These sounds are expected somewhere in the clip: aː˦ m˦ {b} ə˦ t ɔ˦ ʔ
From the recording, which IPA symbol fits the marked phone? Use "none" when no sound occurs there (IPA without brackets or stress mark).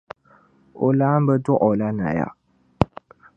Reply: b